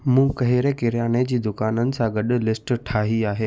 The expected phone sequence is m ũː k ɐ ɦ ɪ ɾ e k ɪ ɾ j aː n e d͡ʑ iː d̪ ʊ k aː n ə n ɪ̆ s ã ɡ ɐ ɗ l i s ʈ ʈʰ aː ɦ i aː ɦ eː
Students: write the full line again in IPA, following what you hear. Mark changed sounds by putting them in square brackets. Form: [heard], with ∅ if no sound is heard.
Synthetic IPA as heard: m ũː k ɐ ɦ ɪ ɾ e k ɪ ɾ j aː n e d͡ʑ iː d̪ ʊ k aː n ə n ɪ̆ s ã ɡ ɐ ɗ l [ɪ] s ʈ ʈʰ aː ɦ i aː ɦ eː